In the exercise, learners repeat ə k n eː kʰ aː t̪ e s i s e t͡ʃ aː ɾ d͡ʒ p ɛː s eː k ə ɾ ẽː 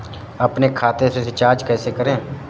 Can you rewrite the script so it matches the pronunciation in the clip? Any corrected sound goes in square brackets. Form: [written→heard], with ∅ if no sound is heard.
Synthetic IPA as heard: ə [k→p] n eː kʰ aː t̪ e s [i→e] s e t͡ʃ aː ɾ d͡ʒ [p→k] ɛː s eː k ə ɾ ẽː

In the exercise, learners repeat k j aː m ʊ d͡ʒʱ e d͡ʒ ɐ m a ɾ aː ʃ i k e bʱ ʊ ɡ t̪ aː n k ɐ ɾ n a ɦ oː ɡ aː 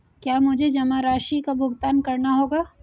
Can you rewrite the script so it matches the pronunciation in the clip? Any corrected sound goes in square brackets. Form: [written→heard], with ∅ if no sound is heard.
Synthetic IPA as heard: k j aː m ʊ d͡ʒʱ e d͡ʒ ɐ m a ɾ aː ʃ i k [e→a] bʱ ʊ ɡ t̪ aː n k ɐ ɾ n a ɦ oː ɡ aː

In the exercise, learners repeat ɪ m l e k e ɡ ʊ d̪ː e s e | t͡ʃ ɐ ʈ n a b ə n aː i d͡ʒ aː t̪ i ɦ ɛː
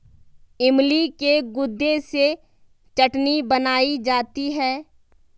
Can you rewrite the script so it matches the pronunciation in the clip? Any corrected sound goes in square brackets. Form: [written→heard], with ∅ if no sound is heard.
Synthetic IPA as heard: ɪ m l [e→i] k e ɡ ʊ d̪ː e s e | t͡ʃ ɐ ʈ n [a→i] b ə n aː i d͡ʒ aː t̪ i ɦ ɛː

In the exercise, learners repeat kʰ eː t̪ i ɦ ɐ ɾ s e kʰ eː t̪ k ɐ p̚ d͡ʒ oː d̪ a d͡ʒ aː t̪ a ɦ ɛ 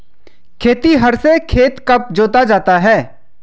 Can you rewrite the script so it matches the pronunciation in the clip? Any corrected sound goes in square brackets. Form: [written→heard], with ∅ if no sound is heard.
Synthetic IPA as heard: kʰ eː t̪ i ɦ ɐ ɾ s e kʰ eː t̪ k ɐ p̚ d͡ʒ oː [d̪→t̪] a d͡ʒ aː t̪ a ɦ [ɛ→ɛː]

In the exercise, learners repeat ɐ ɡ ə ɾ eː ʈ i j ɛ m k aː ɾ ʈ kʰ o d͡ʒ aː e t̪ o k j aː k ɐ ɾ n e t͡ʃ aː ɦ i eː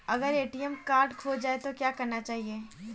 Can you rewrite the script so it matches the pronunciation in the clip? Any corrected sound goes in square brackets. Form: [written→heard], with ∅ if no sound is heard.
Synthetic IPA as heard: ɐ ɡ ə ɾ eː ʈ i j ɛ m k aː ɾ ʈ kʰ o d͡ʒ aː e t̪ o k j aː k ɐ ɾ n [e→a] t͡ʃ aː ɦ i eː

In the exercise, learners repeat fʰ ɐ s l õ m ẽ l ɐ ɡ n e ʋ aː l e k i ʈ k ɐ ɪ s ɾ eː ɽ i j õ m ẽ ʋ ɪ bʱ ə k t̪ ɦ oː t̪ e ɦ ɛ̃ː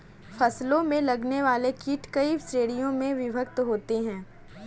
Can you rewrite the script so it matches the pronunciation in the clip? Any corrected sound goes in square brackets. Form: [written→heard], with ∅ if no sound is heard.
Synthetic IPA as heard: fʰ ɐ s l õ m ẽ l ɐ ɡ n e ʋ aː l e k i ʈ k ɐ [ɪ→i] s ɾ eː ɽ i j õ m ẽ ʋ ɪ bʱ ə k t̪ ɦ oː t̪ e ɦ ɛ̃ː

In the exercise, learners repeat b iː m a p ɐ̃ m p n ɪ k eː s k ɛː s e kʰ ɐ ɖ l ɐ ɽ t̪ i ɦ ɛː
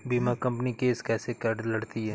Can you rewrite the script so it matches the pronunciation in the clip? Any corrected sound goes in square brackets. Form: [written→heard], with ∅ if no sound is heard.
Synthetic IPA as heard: b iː m a [p→k] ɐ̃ m p n [ɪ→i] k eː s k ɛː s e [kʰ→k] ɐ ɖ l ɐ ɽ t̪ i ɦ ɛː

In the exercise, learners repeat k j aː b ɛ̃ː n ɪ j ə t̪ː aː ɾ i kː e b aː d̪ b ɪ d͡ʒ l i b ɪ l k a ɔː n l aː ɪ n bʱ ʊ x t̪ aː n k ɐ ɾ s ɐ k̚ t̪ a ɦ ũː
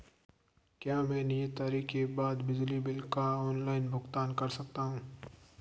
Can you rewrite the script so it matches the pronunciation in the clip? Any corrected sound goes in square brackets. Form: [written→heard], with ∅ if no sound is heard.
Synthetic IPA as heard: k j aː [b→m] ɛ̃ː n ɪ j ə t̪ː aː ɾ i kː e b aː d̪ b ɪ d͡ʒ l i b ɪ l k a ɔː n l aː ɪ n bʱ ʊ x t̪ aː n k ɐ ɾ s ɐ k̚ t̪ a ɦ ũː

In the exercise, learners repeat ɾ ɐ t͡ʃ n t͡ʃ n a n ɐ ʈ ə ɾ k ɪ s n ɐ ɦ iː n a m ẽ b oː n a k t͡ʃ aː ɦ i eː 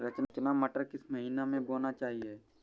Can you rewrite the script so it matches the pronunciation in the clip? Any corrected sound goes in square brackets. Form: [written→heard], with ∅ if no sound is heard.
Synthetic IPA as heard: ɾ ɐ t͡ʃ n t͡ʃ n a [n→m] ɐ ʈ ə ɾ k ɪ s [n→m] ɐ ɦ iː n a m ẽ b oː n a [k→∅] t͡ʃ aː ɦ i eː

